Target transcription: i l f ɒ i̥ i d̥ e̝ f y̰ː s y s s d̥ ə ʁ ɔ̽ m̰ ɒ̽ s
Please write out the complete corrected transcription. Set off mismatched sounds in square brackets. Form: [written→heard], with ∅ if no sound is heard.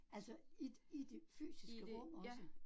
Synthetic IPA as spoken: [i→æ] l [f→s] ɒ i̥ i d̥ e̝ f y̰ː s [y→i] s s [d̥→ɡ̥] ə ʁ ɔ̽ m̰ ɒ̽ s